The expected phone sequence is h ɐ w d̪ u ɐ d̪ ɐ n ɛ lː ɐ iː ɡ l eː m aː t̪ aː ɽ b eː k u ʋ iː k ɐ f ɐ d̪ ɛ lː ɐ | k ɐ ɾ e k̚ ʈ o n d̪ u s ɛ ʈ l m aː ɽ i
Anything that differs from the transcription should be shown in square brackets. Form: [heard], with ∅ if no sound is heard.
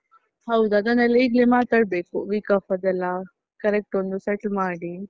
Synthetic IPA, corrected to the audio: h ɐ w d̪ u ɐ d̪ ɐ n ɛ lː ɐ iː ɡ l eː m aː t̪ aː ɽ b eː k u ʋ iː k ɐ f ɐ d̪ ɛ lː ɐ | k ɐ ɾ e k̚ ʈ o n d̪ u s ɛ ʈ l m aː ɽ i